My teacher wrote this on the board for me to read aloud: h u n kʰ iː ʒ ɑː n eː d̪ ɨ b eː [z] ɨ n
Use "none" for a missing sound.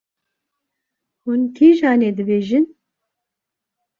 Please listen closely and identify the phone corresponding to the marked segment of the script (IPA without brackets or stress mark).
ʒ